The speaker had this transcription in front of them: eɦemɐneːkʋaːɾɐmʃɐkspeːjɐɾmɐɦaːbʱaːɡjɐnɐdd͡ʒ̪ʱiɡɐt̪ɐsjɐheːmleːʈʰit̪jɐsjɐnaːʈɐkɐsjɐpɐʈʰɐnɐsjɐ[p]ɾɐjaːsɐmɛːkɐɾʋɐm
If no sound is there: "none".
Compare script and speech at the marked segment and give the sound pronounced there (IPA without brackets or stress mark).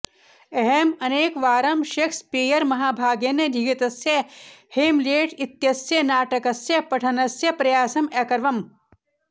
p